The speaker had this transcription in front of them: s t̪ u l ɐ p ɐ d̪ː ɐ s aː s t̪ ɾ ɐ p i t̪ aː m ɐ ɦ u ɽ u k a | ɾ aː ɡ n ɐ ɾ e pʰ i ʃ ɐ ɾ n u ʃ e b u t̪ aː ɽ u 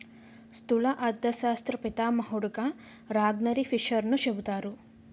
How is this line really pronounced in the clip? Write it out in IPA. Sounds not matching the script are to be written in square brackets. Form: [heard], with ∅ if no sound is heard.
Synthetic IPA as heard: s t̪ u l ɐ [ʔ] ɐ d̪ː ɐ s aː s t̪ ɾ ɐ p i t̪ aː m ɐ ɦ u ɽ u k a | ɾ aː ɡ n ɐ ɾ [i] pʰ i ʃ ɐ ɾ n u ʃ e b u t̪ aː [ɾ] u

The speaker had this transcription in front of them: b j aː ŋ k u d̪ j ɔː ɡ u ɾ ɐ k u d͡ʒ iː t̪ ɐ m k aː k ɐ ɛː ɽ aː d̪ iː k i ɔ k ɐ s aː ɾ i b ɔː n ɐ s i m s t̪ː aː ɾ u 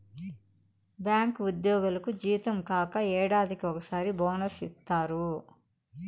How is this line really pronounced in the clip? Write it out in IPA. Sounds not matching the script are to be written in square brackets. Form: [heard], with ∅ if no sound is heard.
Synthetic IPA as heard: b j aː ŋ k u d̪ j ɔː ɡ u [l] ɐ k u d͡ʒ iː t̪ ɐ m k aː k ɐ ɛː ɽ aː d̪ [i] k i ɔ k ɐ s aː ɾ i b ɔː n ɐ s i [∅] s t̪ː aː ɾ u

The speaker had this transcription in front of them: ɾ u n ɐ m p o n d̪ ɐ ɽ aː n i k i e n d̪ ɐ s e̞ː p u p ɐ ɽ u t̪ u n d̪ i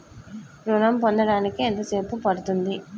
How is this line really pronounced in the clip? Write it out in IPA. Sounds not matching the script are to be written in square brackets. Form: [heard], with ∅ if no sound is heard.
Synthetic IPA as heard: ɾ u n ɐ m p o n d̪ ɐ ɽ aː n i k i e n [t̪] ɐ s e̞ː p u p ɐ ɽ u t̪ u n d̪ i

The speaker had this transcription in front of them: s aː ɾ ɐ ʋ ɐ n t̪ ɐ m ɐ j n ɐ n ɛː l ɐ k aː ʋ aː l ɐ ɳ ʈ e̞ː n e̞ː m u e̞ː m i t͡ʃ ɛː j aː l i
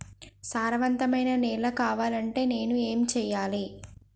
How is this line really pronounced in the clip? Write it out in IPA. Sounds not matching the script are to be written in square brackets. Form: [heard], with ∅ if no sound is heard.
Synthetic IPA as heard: s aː ɾ ɐ ʋ ɐ n t̪ ɐ m ɐ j n ɐ n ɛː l ɐ k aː ʋ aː l ɐ ɳ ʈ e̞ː n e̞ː [n] u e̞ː m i t͡ʃ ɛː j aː l i

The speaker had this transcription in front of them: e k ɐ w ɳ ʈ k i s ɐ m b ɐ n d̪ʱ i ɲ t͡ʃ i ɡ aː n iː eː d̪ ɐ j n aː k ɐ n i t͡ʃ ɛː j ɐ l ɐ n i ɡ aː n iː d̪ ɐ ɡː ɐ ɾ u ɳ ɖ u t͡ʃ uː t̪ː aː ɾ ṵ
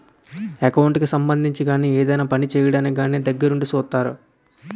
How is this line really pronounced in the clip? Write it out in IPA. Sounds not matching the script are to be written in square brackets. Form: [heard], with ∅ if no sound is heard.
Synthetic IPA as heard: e k ɐ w ɳ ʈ k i s ɐ m b ɐ n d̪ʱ i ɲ t͡ʃ i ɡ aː n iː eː d̪ ɐ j n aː [p] ɐ n i t͡ʃ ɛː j ɐ [ɽ] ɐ n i ɡ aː n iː d̪ ɐ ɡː ɐ ɾ u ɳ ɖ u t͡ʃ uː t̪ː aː ɾ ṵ

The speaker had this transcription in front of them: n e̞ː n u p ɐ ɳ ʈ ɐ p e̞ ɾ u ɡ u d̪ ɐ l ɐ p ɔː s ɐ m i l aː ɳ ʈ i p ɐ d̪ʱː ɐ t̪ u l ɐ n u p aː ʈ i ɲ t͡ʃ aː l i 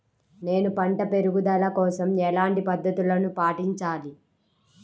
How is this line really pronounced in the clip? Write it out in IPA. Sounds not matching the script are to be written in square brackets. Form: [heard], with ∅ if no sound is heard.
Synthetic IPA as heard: n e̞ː n u p ɐ ɳ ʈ ɐ p e̞ ɾ u ɡ u d̪ ɐ l ɐ [k] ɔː s ɐ m [ɛ] l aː ɳ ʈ i p ɐ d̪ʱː ɐ t̪ u l ɐ n u p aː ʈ i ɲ t͡ʃ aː l i

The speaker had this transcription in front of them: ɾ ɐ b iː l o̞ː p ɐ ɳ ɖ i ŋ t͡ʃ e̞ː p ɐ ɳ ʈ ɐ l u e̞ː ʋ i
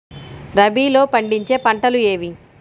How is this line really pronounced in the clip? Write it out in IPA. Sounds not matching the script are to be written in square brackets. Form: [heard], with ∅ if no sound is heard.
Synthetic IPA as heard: ɾ ɐ b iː l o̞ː p ɐ ɳ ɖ i [ɲ] t͡ʃ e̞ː p ɐ ɳ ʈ ɐ l u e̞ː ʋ i

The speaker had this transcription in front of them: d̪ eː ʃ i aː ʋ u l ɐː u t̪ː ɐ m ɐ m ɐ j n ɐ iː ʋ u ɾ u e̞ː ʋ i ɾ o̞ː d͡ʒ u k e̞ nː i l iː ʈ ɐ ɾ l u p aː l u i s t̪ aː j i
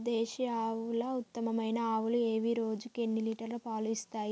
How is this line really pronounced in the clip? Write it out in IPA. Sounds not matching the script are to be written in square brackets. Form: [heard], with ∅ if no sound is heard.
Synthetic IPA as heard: d̪ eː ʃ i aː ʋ u l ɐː u t̪ː ɐ m ɐ m ɐ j n ɐ [aː] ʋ u [l] u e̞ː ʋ i ɾ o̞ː d͡ʒ u k e̞ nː i l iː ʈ ɐ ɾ l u p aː l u i s t̪ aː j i

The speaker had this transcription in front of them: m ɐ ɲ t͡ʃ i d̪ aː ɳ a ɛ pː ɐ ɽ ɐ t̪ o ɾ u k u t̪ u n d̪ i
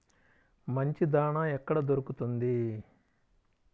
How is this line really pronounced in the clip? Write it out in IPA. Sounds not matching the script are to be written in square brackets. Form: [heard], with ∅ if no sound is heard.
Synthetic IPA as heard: m ɐ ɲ t͡ʃ i d̪ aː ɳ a ɛ [kː] ɐ ɽ ɐ [d̪] o ɾ u k u t̪ u n d̪ i

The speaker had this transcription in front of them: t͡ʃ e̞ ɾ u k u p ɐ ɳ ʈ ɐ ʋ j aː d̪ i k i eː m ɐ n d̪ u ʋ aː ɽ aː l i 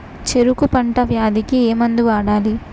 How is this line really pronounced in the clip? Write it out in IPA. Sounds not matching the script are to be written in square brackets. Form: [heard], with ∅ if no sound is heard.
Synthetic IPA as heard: t͡ʃ e̞ ɾ u k u p ɐ ɳ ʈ ɐ ʋ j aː d̪ i k i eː m ɐ n d̪ u ʋ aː ɽ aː l i

